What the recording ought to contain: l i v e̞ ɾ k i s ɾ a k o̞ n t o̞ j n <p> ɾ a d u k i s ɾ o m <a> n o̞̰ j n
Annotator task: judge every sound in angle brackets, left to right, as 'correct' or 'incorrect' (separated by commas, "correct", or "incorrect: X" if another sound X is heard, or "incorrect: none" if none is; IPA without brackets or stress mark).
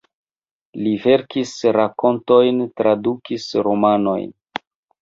incorrect: t, correct